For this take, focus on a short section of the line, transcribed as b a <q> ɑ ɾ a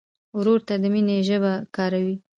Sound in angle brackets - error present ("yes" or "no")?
yes